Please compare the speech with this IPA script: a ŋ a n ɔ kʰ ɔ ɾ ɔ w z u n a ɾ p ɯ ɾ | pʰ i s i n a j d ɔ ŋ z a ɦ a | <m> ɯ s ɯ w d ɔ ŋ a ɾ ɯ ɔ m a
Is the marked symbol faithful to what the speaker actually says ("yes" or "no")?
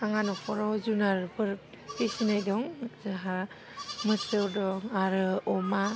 yes